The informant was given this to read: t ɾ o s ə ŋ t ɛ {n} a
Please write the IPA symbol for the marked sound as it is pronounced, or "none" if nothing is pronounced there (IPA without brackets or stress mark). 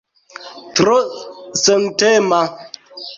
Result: m